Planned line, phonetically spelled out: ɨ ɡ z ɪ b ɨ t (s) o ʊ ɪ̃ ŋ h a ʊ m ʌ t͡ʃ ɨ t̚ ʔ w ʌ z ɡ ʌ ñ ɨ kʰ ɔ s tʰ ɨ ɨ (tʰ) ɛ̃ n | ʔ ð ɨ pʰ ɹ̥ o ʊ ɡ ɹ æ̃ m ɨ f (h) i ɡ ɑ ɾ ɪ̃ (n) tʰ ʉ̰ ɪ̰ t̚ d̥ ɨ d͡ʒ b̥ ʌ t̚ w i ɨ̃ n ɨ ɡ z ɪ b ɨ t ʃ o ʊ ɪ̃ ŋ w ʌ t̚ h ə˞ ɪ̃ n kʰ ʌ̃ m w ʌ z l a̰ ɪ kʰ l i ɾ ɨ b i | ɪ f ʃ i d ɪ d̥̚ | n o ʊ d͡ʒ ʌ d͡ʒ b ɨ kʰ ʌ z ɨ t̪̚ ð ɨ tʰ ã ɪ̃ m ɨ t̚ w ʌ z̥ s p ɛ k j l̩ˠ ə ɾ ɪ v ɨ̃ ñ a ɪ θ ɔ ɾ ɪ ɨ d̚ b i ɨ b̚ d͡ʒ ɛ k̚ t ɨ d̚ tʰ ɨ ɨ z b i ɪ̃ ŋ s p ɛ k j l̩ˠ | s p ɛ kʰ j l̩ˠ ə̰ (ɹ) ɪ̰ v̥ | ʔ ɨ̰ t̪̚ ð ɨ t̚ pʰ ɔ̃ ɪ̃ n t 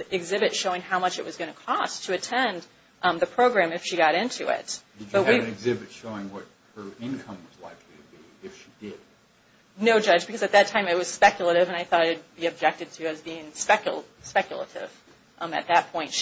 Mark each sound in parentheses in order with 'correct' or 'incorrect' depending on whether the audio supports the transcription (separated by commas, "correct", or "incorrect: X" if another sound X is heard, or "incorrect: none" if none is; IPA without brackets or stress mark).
incorrect: ʃ, correct, incorrect: ʃ, correct, incorrect: ɾ